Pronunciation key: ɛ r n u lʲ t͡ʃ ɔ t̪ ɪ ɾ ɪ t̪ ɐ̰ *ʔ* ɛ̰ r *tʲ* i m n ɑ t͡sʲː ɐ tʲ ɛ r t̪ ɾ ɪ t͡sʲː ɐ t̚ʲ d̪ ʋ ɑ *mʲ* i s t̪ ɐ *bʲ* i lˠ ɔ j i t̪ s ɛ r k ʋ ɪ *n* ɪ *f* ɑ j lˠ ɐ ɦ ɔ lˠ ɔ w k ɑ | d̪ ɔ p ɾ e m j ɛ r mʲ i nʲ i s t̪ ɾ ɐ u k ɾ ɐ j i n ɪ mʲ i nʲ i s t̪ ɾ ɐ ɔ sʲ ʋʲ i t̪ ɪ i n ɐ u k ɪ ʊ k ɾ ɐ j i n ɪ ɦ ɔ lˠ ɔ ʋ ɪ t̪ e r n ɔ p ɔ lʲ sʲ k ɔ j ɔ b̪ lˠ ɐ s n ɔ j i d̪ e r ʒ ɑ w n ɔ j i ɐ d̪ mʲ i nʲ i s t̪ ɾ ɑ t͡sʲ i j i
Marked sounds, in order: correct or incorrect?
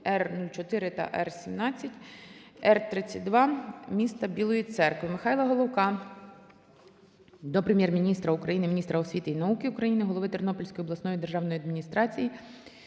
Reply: correct, incorrect: sʲ, correct, correct, incorrect: m, incorrect: x

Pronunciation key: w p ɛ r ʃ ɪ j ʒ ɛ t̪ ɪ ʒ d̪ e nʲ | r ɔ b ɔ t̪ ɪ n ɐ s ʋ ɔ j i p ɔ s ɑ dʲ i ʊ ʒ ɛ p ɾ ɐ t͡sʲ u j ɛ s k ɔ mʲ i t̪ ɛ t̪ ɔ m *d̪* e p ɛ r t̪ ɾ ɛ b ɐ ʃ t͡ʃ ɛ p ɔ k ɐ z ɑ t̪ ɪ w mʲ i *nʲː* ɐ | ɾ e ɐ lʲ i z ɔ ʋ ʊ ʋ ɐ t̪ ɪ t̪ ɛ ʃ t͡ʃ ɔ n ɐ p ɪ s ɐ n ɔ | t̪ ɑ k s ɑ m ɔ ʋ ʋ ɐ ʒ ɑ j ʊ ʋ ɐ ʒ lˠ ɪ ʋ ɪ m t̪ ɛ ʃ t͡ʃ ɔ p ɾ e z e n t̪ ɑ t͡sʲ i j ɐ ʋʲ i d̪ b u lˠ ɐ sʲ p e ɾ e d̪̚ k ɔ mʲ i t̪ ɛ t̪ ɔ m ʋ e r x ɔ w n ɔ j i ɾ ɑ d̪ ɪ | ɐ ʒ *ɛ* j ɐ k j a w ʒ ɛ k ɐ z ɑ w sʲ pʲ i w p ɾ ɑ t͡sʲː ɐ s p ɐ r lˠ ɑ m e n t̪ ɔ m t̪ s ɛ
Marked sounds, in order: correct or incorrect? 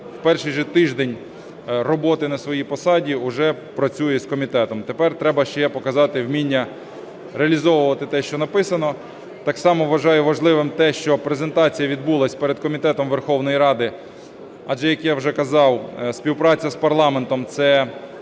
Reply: incorrect: t̪, correct, correct

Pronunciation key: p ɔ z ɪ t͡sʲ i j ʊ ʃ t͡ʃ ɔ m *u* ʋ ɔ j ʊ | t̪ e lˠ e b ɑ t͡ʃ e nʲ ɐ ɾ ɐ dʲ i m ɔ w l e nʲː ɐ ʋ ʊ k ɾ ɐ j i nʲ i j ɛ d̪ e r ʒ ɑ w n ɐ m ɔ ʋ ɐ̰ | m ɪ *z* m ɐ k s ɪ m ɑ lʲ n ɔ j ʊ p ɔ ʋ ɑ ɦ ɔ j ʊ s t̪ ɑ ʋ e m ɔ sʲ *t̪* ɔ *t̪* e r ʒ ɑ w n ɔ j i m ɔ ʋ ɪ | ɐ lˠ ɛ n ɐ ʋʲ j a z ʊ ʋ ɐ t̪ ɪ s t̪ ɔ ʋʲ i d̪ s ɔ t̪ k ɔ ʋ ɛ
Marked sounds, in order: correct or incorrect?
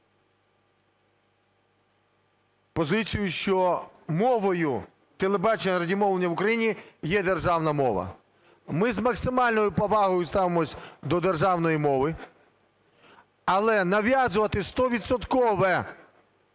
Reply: incorrect: ɔ, correct, incorrect: d̪, incorrect: d̪

